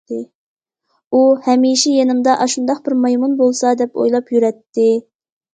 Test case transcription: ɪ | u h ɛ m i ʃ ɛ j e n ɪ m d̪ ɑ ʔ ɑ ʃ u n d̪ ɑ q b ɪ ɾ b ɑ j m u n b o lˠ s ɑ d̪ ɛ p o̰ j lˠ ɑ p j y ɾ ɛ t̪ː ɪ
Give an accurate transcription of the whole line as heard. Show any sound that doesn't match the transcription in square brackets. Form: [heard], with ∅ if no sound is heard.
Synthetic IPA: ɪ | u h ɛ m i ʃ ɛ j e n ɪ m d̪ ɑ ʔ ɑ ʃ u n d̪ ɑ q b ɪ ɾ [m] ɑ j m u n b o lˠ s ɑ d̪ ɛ p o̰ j lˠ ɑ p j y ɾ ɛ t̪ː ɪ